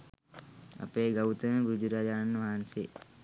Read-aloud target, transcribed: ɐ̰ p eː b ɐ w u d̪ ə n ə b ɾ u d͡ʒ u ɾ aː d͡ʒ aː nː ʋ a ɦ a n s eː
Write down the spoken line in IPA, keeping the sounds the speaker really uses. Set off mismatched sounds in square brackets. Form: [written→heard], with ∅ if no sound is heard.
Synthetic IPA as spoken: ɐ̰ p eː [b→ɡ] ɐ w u [d̪→t̪] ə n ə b ɾ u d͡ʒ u ɾ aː d͡ʒ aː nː ʋ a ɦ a n s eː